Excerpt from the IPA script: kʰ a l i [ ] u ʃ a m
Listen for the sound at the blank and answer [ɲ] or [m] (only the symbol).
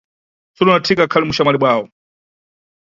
m